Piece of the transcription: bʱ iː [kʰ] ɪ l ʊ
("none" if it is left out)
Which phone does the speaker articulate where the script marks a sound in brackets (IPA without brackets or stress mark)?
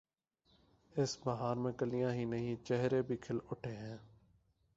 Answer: kʰ